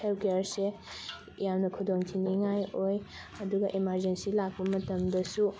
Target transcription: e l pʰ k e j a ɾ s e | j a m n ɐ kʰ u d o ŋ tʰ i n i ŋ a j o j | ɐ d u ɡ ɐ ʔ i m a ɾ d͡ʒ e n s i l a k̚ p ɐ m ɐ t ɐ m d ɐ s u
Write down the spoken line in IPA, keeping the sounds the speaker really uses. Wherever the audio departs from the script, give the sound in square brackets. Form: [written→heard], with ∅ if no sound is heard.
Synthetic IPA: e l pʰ k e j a ɾ s e | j a m n ɐ kʰ u d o ŋ tʰ i n i ŋ a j o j | ɐ d u ɡ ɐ ʔ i m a ɾ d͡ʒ e n s i l a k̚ p ɐ m ɐ t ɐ m d ɐ s u